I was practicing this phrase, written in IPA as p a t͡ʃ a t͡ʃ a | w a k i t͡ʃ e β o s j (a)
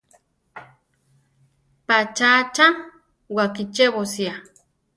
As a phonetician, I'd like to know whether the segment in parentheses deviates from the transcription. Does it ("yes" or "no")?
no